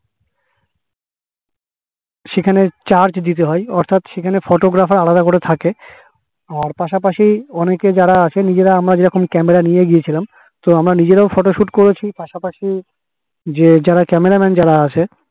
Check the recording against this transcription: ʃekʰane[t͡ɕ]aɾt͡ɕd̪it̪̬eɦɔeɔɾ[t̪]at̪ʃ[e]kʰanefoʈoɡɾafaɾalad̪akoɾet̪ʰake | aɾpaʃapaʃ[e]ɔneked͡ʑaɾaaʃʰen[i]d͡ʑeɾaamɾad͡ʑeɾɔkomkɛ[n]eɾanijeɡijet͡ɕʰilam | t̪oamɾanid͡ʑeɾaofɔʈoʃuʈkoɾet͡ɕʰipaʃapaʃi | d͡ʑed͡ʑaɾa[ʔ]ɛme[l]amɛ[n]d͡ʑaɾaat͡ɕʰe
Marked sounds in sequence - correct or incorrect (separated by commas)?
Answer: correct, incorrect, correct, incorrect, correct, incorrect, incorrect, incorrect, correct